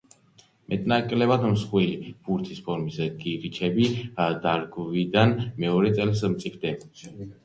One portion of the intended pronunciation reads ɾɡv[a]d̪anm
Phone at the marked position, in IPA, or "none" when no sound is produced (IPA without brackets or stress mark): i